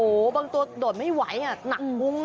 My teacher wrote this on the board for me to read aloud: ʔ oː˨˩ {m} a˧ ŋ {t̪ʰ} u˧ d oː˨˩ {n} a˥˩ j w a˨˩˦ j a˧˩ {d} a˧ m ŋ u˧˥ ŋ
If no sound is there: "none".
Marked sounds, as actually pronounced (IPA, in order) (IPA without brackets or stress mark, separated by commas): b, t̪, m, n